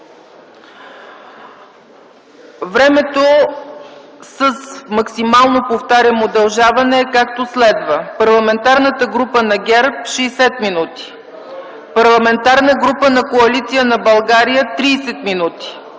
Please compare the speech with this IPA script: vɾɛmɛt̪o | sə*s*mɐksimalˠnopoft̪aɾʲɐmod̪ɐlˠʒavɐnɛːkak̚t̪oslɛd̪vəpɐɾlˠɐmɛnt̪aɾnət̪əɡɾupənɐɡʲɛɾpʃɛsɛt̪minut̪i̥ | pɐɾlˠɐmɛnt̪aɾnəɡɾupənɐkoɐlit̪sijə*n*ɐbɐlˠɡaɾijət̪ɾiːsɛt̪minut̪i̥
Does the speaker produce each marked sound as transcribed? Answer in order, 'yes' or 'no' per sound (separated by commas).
yes, yes